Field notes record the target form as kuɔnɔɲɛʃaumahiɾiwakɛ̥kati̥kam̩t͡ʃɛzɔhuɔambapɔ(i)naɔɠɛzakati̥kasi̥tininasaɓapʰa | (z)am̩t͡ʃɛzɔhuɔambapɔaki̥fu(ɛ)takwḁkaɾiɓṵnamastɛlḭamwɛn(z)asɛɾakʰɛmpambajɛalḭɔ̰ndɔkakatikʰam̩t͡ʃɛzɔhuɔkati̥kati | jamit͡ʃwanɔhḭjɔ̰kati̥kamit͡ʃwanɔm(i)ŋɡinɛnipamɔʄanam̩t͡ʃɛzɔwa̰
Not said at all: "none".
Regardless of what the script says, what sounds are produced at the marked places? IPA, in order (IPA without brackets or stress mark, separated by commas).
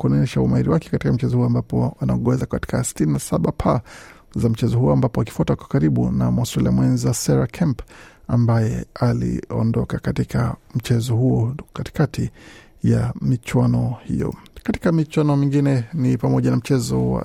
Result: a, z, a, z, i